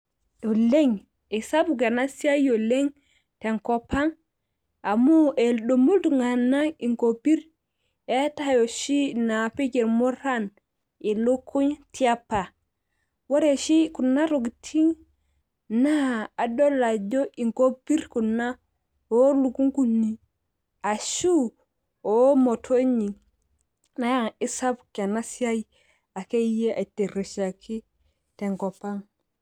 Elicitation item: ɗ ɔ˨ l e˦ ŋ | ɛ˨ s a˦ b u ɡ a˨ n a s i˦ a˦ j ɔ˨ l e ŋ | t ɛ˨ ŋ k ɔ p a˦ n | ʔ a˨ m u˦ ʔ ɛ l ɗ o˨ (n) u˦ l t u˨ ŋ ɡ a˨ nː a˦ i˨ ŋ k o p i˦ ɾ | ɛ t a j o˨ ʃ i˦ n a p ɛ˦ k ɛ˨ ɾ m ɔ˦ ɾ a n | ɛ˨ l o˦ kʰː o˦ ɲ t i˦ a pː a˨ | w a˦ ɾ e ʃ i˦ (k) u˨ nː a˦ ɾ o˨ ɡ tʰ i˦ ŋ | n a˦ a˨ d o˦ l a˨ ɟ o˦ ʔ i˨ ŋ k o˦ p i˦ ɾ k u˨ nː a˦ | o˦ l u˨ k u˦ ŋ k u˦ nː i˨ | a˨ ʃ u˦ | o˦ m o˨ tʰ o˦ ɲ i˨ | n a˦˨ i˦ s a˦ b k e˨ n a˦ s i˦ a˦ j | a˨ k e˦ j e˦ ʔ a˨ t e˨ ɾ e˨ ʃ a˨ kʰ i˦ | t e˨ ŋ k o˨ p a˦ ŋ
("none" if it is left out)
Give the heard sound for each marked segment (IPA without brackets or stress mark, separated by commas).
m, k